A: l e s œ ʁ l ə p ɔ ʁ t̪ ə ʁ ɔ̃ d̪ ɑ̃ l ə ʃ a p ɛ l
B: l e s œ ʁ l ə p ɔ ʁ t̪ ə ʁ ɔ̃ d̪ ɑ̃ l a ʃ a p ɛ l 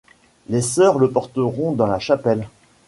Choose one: B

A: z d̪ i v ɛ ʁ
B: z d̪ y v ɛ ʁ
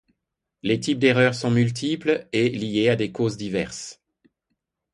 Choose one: A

